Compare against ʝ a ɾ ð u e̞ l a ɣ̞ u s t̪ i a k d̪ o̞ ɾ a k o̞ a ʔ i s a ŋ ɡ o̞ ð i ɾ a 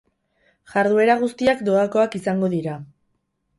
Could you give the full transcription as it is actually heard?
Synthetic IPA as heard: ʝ a ɾ ð u e̞ ɾ a ɣ̞ u s t̪ i a k d̪ o̞ a k o̞ a k i s a ŋ ɡ o̞ ð i ɾ a